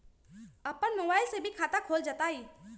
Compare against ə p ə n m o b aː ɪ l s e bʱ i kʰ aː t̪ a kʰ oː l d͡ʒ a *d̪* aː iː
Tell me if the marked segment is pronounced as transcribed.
no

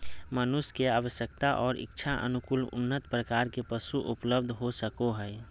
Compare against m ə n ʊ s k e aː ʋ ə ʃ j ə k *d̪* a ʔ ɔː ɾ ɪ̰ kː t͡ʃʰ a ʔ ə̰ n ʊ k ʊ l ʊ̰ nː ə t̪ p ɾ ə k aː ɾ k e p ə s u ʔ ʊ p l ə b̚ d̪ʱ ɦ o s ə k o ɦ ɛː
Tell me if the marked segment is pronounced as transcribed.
no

